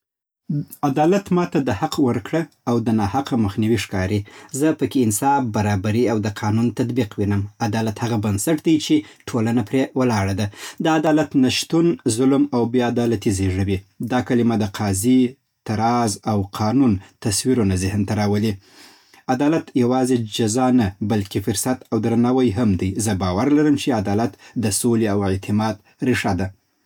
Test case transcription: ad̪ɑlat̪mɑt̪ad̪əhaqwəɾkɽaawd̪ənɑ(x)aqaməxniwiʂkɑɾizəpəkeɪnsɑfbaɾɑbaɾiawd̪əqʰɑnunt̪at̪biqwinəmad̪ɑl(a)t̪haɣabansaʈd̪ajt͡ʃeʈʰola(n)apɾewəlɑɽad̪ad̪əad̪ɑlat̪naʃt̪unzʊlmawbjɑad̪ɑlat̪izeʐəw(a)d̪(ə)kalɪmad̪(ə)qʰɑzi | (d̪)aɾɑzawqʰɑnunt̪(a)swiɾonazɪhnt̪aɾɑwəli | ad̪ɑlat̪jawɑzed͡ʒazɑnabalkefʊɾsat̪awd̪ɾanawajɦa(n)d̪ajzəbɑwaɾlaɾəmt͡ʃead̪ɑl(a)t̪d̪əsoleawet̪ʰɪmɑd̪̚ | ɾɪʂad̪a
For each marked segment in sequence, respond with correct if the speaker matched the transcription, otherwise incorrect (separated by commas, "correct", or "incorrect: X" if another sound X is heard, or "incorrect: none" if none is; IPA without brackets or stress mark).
incorrect: h, correct, correct, incorrect: i, incorrect: ɑ, correct, incorrect: t̪, correct, incorrect: m, correct